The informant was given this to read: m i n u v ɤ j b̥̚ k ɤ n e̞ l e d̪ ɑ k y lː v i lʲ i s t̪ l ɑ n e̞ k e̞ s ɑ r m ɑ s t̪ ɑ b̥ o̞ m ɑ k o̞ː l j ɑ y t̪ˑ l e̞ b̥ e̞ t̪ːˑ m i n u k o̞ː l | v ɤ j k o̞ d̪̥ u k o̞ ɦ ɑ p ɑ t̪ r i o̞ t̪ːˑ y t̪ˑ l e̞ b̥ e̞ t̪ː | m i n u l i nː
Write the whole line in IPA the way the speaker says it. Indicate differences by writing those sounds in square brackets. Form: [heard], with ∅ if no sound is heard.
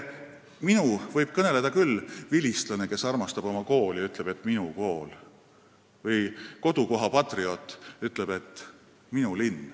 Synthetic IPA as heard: m i n u v ɤ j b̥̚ k ɤ n e̞ l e d̪ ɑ k y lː v i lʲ i s t̪ l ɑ n e̞ k e̞ s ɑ r m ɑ s t̪ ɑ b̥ o̞ m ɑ k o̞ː l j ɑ y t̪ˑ l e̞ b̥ e̞ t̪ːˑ m i n u k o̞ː l | v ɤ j k o̞ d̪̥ u k o̞ ɦ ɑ p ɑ t̪ r i o̞ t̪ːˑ y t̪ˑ l e̞ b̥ e̞ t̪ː | m i n u l i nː

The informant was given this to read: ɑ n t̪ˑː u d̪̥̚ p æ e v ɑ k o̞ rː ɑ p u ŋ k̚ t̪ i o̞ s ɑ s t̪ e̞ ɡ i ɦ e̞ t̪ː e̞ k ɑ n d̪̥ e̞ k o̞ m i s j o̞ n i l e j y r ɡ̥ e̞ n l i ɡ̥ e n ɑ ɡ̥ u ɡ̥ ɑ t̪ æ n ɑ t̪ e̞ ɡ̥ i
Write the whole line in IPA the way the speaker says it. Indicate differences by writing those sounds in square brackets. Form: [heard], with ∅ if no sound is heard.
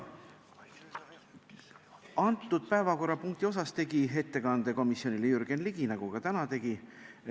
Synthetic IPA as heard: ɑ n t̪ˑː u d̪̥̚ p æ e v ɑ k o̞ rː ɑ p u ŋ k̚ t̪ i o̞ s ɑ s t̪ e̞ ɡ i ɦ e̞ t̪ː e̞ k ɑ n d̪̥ e̞ k o̞ m i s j o̞ n i l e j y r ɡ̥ e̞ n l i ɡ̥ [i] n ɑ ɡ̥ u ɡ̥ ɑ t̪ æ n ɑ t̪ e̞ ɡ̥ i

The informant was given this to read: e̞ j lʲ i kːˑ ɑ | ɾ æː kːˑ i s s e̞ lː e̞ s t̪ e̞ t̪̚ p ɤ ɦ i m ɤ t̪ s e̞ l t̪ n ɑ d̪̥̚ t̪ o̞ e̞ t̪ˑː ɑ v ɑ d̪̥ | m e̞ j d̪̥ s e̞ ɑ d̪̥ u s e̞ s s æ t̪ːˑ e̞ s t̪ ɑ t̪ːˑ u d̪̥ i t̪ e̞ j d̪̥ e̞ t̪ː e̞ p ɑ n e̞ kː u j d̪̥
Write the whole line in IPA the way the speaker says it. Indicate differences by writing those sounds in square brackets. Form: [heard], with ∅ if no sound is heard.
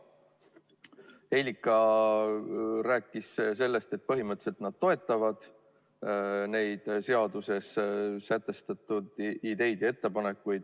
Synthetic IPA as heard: e̞ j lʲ i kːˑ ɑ | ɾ æː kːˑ i s s e̞ lː e̞ s t̪ e̞ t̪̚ p ɤ ɦ i m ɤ t̪ s e̞ l t̪ n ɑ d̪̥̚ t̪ o̞ e̞ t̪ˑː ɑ v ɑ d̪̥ | [n] e̞ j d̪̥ s e̞ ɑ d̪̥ u s e̞ s s æ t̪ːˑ e̞ s t̪ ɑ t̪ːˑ u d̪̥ i [d̪] e̞ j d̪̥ e̞ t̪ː e̞ p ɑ n e̞ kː u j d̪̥

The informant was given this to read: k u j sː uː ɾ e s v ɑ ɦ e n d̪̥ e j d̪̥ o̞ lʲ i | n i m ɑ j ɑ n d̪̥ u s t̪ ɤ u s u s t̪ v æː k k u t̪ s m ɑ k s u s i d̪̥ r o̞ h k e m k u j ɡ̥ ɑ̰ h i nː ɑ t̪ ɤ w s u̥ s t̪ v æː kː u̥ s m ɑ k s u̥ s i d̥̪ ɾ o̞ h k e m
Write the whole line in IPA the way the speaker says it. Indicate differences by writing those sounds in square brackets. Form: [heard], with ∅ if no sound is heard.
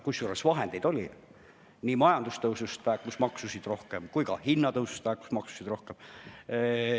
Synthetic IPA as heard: k u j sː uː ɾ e s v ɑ ɦ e n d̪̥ e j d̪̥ o̞ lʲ i | n i m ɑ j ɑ n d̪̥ u s t̪ ɤ [w] s u s t̪ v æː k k u [∅] s m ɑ k s u s i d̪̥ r o̞ h k e m k u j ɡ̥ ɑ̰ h i nː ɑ t̪ ɤ w s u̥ s t̪ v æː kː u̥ s m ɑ k s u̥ s i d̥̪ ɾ o̞ h k e m

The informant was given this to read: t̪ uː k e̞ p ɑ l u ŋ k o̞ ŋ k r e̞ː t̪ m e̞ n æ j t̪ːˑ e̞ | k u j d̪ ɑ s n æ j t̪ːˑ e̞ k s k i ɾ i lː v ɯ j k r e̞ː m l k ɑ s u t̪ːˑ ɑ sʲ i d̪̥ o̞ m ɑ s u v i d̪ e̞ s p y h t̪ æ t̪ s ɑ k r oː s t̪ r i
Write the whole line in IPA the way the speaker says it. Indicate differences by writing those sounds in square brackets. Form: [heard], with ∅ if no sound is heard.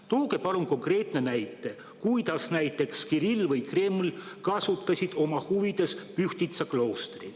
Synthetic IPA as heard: t̪ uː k e̞ p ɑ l u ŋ k o̞ ŋ k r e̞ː t̪ [n] e̞ n æ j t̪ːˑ e̞ | k u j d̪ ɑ s n æ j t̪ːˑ e̞ k s k i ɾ i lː v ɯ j k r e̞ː m l k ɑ s u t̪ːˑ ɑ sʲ i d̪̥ o̞ m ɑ [h] u v i d̪ e̞ s p y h t̪ [i] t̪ s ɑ k [l] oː s t̪ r i

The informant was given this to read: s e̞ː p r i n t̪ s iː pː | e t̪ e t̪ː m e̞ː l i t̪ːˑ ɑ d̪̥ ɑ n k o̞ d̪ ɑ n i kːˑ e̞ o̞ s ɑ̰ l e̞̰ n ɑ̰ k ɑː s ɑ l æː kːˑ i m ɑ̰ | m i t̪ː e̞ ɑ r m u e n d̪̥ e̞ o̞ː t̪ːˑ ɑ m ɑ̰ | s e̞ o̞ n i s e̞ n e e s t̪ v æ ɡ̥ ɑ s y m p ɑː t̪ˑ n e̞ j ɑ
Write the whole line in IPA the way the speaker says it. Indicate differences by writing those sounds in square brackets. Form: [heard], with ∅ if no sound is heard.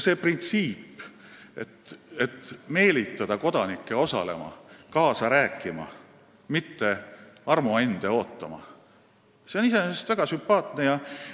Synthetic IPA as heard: s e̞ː p r i n t̪ s iː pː | e t̪ e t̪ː m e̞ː l i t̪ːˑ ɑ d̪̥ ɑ [∅] k o̞ d̪ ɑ n i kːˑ e̞ o̞ s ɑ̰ l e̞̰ [m] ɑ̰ k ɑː s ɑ [ɾ] æː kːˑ i m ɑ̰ | m i t̪ː e̞ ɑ r m u e n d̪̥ e̞ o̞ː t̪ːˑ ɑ m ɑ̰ | s e̞ o̞ n i s e̞ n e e s t̪ v æ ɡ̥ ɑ s y m p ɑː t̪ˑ n e̞ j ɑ

